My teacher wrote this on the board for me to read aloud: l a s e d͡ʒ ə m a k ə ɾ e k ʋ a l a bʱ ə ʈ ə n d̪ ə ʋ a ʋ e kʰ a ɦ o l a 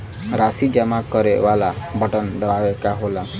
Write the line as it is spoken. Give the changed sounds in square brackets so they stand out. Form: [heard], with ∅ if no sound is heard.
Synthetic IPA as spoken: [ɾ] a s [i] d͡ʒ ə m a k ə ɾ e [∅] ʋ a l a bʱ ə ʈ ə n d̪ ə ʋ a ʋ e [k] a ɦ o l a

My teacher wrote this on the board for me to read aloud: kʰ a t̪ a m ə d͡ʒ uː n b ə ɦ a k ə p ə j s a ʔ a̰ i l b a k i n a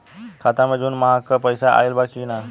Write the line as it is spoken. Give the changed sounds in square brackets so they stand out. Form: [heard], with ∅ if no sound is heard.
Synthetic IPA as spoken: kʰ a t̪ a m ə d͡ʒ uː n [m] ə ɦ a k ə p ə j s a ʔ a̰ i l b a k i n a

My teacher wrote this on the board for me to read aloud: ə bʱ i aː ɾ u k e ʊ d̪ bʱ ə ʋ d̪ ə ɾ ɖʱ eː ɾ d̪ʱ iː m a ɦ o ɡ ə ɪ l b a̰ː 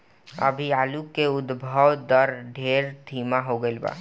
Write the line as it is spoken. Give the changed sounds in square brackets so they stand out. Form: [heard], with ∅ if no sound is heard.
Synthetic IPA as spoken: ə bʱ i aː [l] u k e ʊ d̪ bʱ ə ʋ d̪ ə ɾ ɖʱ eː ɾ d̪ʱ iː m a ɦ o ɡ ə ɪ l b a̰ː

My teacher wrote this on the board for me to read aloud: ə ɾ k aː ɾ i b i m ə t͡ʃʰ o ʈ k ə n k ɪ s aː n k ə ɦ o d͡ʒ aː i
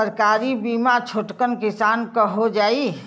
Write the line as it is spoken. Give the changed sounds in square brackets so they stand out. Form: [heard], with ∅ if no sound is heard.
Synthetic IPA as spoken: ə ɾ k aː ɾ i b i m [a] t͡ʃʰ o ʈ k ə n k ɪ s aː n k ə ɦ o d͡ʒ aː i

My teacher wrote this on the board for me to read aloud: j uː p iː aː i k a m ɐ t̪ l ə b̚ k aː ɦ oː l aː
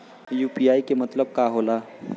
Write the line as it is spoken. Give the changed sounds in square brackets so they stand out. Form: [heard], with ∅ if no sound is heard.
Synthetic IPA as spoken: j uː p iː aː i k [e] m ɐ t̪ l ə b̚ k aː ɦ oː l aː

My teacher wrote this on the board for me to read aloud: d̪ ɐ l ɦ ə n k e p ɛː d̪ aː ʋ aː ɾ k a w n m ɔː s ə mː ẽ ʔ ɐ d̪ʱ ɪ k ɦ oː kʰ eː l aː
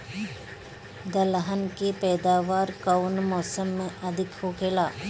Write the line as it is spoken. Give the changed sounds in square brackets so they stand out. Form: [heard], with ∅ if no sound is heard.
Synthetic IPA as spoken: d̪ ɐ l ɦ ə n k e p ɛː d̪ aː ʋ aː ɾ k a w n m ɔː s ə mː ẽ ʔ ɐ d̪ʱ ɪ k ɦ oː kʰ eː l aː

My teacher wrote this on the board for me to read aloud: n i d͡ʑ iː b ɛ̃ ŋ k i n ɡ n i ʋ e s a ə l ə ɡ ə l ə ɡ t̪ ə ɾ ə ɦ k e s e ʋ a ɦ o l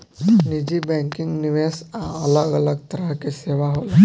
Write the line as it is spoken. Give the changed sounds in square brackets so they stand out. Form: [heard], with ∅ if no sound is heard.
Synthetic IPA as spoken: n i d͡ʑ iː b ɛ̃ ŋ k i [ŋ] ɡ n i ʋ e s a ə l ə ɡ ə l ə ɡ t̪ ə ɾ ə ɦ k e s e ʋ a ɦ o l

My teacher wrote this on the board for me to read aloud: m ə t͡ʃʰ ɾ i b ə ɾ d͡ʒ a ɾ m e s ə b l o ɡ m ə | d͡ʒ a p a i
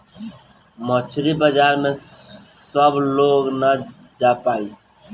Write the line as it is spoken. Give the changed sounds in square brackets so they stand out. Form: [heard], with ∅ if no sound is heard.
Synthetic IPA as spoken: m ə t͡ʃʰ ɾ i b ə [∅] d͡ʒ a ɾ m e s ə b l o ɡ [n] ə | d͡ʒ a p a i

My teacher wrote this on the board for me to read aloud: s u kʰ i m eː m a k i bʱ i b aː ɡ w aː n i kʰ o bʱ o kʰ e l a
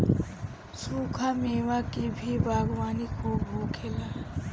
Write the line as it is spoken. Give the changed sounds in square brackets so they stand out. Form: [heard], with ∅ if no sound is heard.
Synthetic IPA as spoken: s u kʰ [a] m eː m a k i bʱ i b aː ɡ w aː n i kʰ o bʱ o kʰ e l a

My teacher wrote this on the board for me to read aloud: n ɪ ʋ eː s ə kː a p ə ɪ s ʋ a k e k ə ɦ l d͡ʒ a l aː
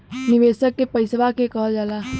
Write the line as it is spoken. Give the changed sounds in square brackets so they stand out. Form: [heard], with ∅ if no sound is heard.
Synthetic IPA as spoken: n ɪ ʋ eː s ə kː [e] p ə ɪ s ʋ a k e k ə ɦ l d͡ʒ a l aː

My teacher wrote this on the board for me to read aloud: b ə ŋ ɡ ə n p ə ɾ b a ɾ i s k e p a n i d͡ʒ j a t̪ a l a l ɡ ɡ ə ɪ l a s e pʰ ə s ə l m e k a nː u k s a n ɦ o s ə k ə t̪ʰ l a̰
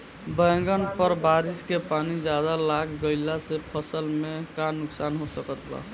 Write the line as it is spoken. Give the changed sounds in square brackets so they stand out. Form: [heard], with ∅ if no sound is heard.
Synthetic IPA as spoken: b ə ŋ ɡ ə n p ə ɾ b a ɾ i s k e p a n i d͡ʒ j a [d̪] a l a [∅] ɡ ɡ ə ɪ l a s e pʰ ə s ə l m e k a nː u k s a n ɦ o s ə k ə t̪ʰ l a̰

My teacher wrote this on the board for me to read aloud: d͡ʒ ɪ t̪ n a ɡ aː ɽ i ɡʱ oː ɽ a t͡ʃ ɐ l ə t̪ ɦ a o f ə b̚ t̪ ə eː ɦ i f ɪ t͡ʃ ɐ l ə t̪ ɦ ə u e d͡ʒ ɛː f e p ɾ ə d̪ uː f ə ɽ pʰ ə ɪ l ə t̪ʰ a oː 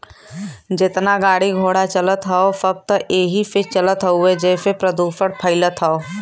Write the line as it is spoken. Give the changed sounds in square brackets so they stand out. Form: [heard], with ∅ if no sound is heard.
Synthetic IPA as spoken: d͡ʒ ɪ t̪ n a ɡ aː ɽ i ɡʱ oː ɽ a t͡ʃ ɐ l ə t̪ ɦ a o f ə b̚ t̪ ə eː ɦ i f ɪ t͡ʃ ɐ l ə t̪ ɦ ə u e d͡ʒ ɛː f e p ɾ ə d̪ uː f ə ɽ pʰ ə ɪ l ə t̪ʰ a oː

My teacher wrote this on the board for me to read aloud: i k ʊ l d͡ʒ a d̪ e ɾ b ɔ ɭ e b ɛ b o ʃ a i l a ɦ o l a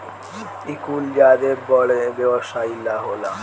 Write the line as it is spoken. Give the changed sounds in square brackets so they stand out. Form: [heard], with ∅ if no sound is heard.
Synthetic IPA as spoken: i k [u] l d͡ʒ a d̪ e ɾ b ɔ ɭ e b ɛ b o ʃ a i l a ɦ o l a

